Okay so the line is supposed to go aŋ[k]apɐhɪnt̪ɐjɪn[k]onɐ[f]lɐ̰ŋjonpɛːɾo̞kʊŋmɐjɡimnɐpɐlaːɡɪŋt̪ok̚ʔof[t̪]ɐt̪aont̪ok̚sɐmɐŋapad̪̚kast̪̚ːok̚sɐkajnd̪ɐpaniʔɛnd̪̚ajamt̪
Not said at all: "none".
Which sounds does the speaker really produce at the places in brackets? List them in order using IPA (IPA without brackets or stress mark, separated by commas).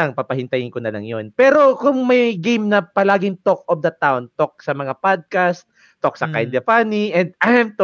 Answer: p, k, none, d̪